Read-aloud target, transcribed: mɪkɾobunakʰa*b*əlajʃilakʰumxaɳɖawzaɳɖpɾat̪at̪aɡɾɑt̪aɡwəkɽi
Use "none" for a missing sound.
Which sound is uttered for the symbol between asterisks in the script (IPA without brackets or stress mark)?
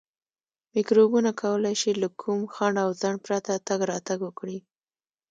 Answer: w